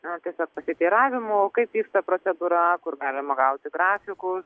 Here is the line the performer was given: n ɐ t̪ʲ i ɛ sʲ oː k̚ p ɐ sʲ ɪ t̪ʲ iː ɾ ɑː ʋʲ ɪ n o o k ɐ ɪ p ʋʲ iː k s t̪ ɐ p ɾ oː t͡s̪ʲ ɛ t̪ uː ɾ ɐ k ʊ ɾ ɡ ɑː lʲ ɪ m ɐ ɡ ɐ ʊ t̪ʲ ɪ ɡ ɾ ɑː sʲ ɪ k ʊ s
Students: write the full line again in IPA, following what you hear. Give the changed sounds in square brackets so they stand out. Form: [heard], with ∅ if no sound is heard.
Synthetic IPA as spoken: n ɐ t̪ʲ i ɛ sʲ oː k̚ p ɐ sʲ ɪ t̪ʲ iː ɾ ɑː ʋʲ ɪ [m] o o k ɐ ɪ p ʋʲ iː k s t̪ ɐ p ɾ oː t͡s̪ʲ ɛ [d̪] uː ɾ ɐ k ʊ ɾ ɡ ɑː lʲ ɪ m ɐ ɡ ɐ ʊ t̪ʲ ɪ ɡ ɾ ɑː [fʲ] ɪ k ʊ s